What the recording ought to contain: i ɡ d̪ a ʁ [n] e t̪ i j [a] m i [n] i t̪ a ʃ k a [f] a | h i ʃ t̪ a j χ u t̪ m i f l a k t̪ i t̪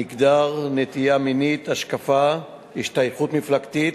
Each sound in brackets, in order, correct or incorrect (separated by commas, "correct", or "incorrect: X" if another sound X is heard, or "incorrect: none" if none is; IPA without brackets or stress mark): correct, correct, correct, correct